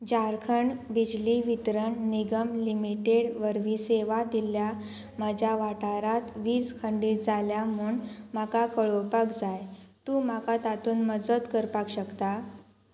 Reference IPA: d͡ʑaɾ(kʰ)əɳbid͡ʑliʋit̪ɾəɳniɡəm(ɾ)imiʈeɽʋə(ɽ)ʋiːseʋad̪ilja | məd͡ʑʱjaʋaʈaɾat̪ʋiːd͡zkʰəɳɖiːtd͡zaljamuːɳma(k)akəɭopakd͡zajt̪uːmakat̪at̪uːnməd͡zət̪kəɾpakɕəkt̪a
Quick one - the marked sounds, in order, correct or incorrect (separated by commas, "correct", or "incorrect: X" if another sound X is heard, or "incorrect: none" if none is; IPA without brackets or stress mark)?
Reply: correct, incorrect: l, incorrect: ɾ, correct